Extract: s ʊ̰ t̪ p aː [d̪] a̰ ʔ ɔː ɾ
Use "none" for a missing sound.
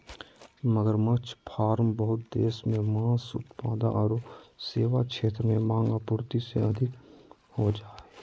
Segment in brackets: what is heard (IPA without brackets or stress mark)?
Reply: d̪